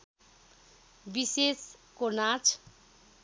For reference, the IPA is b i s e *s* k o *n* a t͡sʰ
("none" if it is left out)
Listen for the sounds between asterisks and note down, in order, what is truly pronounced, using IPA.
s, n

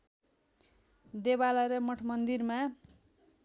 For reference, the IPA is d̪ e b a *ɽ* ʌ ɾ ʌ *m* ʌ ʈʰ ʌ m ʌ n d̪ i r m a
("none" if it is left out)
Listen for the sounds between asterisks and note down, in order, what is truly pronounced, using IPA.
l, m

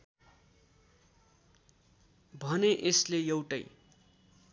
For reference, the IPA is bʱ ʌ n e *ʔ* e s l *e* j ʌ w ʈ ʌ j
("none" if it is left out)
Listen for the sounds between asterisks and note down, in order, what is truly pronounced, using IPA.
ʔ, e

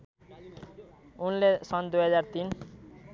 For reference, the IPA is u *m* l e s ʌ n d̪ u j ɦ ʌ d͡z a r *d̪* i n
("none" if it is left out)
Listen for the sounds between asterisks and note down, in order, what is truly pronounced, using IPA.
n, t̪

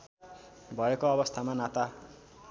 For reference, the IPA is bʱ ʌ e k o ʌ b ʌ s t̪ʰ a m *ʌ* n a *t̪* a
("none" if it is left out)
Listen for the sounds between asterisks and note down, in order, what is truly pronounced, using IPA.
a, t̪

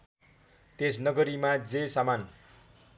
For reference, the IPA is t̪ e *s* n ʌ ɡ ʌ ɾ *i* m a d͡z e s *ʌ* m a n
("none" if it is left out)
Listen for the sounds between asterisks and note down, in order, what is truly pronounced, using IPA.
s, i, a

